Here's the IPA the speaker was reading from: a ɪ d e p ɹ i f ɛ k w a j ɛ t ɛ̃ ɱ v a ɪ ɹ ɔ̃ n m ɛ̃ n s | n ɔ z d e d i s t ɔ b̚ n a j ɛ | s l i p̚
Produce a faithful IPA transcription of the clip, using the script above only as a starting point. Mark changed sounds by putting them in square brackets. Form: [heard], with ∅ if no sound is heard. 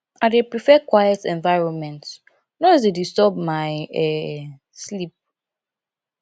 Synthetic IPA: a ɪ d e p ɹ i f ɛ k w a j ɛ t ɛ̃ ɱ v a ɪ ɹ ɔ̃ n m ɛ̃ n [t] | n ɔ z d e d i s t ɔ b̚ [m] a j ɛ | s l i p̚